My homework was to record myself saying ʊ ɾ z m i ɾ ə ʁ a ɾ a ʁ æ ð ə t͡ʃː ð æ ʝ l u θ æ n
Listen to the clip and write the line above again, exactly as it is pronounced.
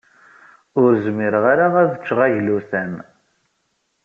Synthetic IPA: ʊ ɾ z m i ɾ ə ʁ a ɾ a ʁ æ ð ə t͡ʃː ʁ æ ʝ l u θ æ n